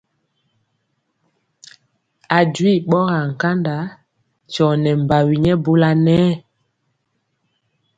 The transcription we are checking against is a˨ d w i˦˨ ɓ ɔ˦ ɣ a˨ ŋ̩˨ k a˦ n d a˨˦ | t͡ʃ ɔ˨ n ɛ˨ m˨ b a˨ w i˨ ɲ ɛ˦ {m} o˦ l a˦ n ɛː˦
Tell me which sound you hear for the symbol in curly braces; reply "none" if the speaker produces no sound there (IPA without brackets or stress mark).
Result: b